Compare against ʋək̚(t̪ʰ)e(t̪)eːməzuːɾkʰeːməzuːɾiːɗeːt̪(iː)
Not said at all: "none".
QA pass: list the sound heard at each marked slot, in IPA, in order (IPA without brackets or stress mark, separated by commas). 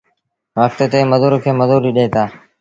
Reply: t̪, t̪, aː